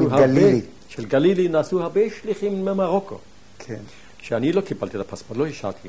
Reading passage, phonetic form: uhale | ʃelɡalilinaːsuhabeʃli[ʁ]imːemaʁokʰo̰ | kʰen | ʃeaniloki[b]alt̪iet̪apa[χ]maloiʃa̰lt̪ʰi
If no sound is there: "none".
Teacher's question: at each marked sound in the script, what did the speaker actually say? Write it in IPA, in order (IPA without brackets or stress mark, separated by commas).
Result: χ, b, s